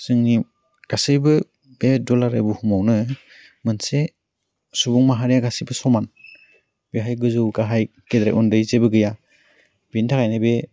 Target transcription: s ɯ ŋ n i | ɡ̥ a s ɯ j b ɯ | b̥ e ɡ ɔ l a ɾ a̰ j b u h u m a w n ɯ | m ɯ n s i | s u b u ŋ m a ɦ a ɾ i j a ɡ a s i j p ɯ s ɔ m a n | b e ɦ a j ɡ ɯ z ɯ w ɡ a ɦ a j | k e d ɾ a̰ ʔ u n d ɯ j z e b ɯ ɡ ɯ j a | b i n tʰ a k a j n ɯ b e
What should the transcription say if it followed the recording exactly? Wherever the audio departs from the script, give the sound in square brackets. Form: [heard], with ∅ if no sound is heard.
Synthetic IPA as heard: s ɯ ŋ n i | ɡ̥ a s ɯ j b ɯ | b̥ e [d] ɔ l a ɾ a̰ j b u h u m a w n ɯ | m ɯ n s [e] | s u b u ŋ m a ɦ a ɾ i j a ɡ a s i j [b] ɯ s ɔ m a n | b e ɦ a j ɡ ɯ z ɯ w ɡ a ɦ a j | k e d ɾ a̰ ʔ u n d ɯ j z e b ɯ ɡ ɯ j a | b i n tʰ a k a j n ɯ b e